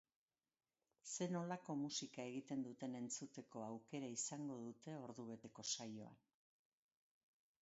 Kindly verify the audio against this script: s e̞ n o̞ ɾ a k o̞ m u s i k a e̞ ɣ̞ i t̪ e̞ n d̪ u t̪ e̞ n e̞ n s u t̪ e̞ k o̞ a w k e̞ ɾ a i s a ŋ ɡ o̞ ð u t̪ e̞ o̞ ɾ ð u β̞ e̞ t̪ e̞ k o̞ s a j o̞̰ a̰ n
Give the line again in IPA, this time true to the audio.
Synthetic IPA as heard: s e̞ n o̞ l a k o̞ m u s i k a e̞ ɣ̞ i t̪ e̞ n d̪ u t̪ e̞ n e̞ n t͡s u t̪ e̞ k o̞ a w k e̞ ɾ a i s a ŋ ɡ o̞ ð u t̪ e̞ o̞ ɾ ð u β̞ e̞ t̪ e̞ k o̞ s a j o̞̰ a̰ n